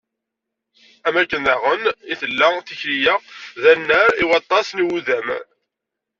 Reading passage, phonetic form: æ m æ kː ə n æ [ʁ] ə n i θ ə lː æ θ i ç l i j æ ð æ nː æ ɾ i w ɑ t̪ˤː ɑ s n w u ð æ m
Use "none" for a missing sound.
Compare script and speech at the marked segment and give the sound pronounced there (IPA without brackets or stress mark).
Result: ʁ